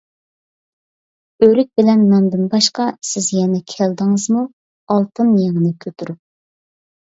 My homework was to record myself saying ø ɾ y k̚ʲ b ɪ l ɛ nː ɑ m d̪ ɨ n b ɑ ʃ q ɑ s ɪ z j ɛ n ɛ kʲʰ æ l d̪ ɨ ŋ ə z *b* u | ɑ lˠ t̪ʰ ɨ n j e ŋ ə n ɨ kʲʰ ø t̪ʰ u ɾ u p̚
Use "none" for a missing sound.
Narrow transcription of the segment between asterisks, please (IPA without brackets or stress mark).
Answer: m